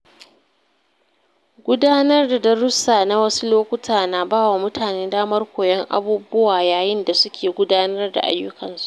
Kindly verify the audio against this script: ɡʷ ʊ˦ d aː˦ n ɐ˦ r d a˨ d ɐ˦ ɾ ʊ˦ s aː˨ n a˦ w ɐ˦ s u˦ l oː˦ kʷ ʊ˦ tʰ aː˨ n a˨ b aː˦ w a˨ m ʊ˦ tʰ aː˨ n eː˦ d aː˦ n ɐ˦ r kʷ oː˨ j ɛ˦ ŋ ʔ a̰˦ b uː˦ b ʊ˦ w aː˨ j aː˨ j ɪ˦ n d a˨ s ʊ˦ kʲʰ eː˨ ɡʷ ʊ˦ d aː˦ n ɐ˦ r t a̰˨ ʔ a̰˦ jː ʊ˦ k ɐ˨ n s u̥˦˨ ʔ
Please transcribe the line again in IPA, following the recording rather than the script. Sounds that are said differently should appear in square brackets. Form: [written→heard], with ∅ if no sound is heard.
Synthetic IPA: ɡʷ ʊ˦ d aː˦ n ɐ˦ r d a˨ d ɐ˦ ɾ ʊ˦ s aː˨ n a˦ w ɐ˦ s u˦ l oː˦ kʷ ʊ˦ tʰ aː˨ n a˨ b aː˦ w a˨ m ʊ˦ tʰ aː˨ n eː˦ d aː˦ [n→m] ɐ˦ r kʷ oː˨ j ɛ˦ ŋ ʔ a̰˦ b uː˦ b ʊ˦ w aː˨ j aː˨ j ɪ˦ n d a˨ s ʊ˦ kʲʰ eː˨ ɡʷ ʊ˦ d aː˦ n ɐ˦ r [t→d] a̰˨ ʔ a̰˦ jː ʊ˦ k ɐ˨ n s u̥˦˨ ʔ